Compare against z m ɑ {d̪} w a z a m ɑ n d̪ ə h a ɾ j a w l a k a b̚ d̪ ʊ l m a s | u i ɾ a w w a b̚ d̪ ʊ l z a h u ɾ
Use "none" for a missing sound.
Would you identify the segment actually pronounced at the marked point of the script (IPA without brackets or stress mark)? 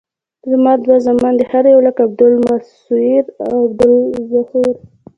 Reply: d̪